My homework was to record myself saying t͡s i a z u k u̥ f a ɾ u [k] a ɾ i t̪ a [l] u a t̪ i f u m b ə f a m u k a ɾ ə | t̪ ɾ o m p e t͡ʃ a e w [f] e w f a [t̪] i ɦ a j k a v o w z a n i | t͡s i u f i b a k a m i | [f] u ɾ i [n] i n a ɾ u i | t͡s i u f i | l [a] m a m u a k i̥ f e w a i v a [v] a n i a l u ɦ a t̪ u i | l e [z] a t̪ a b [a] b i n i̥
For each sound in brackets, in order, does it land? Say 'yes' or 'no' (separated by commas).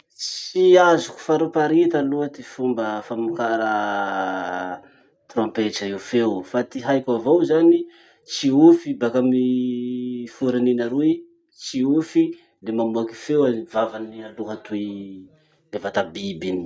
no, yes, yes, yes, yes, yes, no, yes, no, no